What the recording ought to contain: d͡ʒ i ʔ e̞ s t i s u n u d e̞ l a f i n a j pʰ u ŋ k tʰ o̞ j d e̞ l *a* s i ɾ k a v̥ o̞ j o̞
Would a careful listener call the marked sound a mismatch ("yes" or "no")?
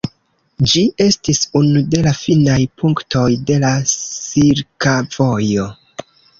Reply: no